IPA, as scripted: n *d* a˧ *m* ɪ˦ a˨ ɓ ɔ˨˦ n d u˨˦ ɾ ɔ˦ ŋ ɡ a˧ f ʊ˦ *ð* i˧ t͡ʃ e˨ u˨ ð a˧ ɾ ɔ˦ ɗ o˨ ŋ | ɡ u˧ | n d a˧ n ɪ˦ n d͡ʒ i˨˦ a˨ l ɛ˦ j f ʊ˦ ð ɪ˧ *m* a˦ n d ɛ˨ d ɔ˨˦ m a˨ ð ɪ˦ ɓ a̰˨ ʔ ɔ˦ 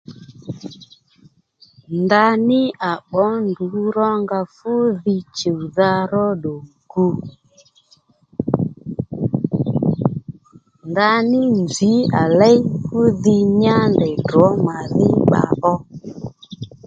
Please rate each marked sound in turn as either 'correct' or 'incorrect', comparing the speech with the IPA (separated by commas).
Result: correct, incorrect, correct, incorrect